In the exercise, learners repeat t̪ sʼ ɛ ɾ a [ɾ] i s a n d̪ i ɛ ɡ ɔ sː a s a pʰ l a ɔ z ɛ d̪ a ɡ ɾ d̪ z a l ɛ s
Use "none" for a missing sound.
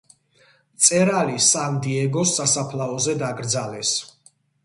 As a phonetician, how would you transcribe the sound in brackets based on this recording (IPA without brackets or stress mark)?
l